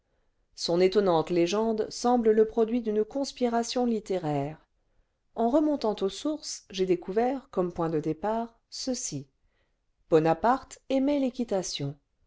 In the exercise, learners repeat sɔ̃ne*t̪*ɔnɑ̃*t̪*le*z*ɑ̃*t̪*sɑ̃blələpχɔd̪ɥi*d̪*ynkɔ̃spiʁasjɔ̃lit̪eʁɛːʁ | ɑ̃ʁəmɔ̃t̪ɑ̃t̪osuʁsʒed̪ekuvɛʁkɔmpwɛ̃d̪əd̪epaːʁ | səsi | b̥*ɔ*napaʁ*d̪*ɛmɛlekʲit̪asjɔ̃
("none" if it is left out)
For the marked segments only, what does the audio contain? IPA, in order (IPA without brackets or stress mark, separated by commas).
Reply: t̪, t̪, ʒ, d̪, d̪, ɔ, t̪